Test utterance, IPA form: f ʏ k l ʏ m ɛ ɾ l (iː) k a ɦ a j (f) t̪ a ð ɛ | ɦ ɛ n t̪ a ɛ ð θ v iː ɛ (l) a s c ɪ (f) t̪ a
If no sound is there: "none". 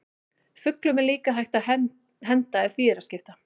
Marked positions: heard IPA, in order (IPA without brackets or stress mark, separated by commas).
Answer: iː, h, ɾ, f